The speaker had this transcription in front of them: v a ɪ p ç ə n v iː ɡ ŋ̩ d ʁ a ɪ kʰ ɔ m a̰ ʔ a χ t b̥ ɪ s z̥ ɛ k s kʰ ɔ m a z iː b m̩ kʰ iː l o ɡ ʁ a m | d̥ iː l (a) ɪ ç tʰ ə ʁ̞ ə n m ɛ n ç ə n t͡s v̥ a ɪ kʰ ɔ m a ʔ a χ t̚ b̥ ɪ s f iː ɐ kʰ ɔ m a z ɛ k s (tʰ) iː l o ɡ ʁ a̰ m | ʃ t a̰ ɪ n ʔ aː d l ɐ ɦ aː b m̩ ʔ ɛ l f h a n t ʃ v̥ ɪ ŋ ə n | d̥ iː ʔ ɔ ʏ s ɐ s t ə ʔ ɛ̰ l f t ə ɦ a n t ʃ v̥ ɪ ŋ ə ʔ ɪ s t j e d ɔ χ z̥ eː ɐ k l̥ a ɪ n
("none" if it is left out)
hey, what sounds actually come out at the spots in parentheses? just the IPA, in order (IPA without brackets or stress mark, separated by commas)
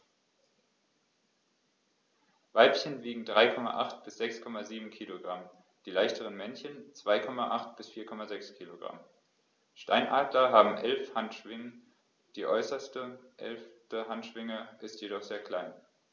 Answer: a, kʰ